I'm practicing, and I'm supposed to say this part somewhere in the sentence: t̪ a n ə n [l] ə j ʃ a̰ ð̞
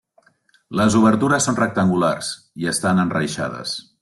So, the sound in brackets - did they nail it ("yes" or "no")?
no